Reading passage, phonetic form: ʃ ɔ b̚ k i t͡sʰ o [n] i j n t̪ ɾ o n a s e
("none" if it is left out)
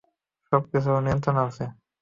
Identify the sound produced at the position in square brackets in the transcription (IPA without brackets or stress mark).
n